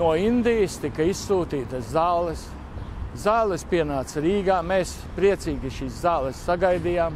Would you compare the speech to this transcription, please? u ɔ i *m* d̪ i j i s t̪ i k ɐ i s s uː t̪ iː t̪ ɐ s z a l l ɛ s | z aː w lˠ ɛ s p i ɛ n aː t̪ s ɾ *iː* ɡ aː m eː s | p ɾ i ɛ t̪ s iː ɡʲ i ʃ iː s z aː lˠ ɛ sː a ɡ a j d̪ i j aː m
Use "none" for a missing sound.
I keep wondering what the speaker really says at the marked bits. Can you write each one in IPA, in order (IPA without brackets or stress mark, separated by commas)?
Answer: n, iː